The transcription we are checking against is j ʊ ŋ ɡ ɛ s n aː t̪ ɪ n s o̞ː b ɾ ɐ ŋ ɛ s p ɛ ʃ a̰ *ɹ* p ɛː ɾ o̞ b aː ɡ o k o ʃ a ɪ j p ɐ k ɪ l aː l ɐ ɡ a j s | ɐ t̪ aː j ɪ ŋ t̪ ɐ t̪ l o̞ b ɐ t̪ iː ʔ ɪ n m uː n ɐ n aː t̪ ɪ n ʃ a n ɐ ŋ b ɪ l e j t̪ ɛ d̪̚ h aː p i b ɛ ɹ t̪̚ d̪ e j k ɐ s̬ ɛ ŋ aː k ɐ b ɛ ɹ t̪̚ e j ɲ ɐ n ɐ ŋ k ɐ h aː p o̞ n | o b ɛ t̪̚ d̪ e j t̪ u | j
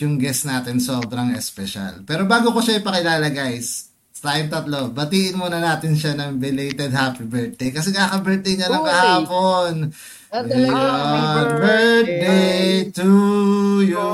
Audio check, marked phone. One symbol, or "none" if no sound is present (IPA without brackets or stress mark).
l